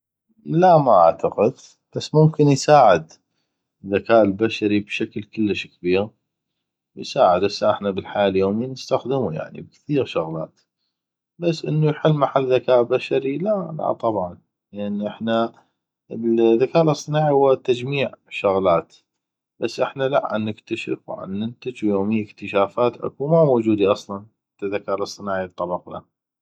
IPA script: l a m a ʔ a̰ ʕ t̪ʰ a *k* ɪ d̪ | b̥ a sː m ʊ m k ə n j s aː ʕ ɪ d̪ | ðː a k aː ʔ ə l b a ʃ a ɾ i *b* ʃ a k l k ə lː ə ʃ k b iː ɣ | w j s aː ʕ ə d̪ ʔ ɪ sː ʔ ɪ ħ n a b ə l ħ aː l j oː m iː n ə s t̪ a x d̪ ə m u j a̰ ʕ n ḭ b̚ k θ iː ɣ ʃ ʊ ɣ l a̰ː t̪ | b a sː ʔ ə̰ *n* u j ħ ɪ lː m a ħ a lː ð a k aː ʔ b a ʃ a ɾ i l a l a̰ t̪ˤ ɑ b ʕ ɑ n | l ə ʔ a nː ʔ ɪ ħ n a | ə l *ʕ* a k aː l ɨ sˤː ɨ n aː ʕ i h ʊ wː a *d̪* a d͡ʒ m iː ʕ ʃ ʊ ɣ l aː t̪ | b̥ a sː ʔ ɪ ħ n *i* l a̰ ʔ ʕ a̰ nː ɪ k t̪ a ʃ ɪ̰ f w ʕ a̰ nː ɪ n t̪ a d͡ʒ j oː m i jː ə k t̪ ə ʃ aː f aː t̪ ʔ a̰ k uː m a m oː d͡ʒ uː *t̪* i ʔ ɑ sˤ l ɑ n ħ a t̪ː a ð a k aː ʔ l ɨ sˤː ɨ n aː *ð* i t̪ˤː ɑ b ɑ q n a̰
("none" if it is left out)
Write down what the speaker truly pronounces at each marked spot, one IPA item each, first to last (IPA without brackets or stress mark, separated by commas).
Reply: q, b, nː, ð, t̪, a, d̪, ʕ